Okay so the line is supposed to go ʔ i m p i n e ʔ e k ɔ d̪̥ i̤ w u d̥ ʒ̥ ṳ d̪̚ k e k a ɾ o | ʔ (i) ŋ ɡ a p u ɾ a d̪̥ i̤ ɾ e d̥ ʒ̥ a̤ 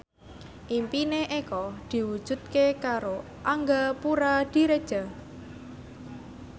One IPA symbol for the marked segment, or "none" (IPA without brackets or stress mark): a